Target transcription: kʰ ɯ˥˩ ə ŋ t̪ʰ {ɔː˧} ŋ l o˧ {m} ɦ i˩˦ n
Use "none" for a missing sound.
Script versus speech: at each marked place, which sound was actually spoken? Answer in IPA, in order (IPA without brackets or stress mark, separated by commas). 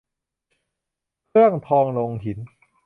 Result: ɔː˧, ŋ